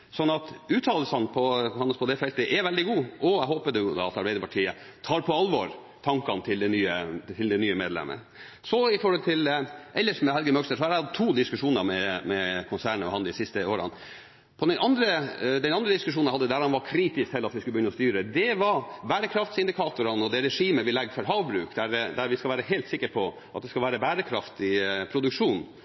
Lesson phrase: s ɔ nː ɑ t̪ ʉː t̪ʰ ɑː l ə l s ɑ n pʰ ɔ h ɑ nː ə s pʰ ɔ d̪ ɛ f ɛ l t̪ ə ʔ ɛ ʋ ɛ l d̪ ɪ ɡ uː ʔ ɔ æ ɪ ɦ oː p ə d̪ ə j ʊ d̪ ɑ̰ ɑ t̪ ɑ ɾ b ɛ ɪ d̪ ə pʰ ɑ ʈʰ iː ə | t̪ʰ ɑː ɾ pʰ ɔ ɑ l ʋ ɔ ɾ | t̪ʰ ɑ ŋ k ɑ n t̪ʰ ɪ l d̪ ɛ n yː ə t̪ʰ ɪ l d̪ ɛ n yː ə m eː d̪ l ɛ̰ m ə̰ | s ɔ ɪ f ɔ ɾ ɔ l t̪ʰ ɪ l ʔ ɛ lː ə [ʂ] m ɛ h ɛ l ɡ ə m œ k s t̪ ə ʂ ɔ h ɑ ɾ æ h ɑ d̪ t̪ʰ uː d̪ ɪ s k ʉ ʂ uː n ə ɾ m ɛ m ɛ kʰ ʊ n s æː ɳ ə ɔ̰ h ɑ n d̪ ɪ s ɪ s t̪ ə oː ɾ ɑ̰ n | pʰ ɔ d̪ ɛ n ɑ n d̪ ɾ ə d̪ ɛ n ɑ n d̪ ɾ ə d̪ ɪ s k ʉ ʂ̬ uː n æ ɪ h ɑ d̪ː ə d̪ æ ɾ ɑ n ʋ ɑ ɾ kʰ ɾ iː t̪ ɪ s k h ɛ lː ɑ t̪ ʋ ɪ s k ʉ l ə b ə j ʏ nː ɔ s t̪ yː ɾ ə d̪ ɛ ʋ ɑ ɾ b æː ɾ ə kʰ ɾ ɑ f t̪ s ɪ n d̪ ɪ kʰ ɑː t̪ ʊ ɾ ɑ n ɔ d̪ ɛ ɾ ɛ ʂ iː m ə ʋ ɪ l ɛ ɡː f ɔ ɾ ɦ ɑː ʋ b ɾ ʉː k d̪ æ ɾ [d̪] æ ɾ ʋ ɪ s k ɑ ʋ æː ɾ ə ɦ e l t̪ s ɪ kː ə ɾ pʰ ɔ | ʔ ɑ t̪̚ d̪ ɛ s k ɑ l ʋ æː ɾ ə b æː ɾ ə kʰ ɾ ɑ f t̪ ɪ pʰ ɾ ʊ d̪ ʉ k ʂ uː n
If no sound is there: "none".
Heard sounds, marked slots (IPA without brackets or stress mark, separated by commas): ʂ, d̪